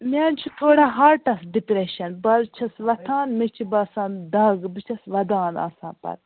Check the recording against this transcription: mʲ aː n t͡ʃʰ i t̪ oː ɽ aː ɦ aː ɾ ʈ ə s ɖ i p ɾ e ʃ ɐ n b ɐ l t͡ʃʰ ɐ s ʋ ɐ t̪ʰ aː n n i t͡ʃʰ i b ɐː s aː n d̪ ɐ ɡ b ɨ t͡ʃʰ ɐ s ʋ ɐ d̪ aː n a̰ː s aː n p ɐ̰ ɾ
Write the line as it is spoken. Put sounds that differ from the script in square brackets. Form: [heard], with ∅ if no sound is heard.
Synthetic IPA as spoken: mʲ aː n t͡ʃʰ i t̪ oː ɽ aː ɦ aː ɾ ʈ [ɐ] s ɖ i p ɾ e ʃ ɐ n b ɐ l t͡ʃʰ ɐ s ʋ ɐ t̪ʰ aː n [m] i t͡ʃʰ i b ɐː s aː n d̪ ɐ ɡ b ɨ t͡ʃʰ ɐ s ʋ ɐ d̪ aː n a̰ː s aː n p ɐ̰ ɾ